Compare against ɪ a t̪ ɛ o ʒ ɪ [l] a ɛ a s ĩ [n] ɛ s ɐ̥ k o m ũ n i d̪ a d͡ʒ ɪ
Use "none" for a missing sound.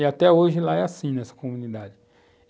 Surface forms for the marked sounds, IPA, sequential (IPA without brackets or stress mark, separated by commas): l, n